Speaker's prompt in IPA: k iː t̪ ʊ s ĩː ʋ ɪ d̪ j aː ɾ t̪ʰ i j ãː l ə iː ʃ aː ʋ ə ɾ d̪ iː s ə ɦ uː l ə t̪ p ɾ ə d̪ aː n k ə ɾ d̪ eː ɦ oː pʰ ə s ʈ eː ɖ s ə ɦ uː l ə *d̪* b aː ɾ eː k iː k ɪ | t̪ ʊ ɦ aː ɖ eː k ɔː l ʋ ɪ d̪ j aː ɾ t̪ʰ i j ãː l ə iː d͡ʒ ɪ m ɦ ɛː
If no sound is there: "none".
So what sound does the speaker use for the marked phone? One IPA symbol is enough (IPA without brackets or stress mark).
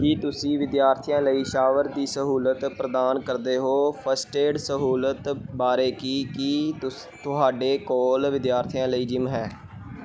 t̪